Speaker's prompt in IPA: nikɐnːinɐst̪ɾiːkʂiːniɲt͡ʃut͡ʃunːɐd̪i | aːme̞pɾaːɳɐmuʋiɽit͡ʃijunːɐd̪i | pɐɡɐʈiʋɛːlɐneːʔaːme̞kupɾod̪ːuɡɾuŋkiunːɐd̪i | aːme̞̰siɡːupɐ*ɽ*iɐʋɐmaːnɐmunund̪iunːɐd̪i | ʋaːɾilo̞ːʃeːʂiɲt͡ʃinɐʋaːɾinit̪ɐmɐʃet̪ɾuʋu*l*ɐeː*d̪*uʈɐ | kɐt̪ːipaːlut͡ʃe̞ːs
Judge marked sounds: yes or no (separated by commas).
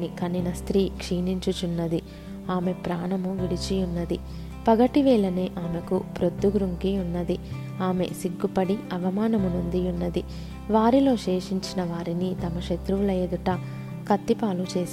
yes, yes, yes